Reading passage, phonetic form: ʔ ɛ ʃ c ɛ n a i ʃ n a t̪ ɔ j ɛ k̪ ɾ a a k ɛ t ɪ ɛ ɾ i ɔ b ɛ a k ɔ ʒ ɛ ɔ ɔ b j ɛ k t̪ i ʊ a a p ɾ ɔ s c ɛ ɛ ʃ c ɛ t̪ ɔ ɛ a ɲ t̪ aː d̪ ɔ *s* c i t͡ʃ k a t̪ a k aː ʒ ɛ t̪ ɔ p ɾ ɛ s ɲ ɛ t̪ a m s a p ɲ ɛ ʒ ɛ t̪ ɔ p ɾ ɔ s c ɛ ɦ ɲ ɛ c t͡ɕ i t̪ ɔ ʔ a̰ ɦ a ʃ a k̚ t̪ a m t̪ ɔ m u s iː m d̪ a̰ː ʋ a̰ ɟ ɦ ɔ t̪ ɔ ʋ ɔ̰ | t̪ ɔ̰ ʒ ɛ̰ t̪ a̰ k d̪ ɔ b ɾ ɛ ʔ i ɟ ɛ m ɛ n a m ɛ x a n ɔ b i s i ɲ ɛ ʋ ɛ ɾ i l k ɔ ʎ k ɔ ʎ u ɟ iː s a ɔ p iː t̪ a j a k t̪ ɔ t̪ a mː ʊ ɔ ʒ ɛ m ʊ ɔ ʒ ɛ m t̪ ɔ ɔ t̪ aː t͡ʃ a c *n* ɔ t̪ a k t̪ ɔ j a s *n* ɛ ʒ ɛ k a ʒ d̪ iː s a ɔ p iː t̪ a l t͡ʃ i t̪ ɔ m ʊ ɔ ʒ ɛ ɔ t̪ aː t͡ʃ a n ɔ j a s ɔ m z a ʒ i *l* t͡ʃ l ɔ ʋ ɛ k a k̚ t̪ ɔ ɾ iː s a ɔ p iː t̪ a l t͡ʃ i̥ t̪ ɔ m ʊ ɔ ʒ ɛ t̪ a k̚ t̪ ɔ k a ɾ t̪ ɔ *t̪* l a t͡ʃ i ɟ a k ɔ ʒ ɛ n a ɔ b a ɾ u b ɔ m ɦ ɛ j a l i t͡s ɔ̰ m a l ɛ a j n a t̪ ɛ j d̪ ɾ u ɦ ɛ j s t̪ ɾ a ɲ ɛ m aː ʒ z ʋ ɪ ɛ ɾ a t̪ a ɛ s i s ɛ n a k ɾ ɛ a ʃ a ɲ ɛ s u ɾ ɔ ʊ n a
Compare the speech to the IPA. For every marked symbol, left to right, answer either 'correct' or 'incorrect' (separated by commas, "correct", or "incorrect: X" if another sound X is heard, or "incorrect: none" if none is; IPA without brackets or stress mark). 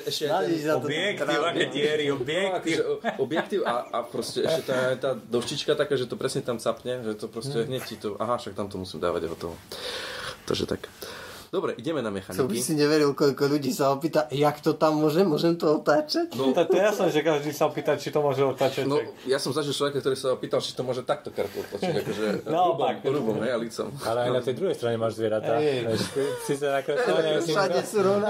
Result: incorrect: ʃ, correct, correct, correct, correct